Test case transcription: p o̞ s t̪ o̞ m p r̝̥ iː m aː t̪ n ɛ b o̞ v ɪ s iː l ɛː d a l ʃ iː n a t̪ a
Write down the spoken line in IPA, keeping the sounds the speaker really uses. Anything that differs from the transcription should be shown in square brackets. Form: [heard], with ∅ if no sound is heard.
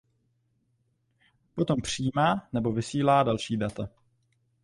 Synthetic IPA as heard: p o̞ [∅] t̪ o̞ m p r̝̥ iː m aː [∅] n ɛ b o̞ v ɪ s iː l [aː] d a l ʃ iː [d] a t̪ a